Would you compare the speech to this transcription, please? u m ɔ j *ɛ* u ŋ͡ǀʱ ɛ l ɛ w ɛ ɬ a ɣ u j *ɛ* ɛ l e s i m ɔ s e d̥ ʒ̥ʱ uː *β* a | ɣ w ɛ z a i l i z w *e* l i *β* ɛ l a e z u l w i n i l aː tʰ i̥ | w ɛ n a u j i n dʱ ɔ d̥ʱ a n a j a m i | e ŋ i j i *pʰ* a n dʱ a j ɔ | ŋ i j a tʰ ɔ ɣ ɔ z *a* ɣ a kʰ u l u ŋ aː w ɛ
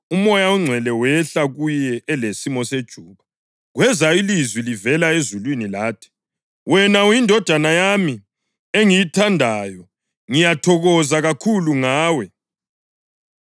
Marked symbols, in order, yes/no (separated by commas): no, yes, yes, no, no, no, yes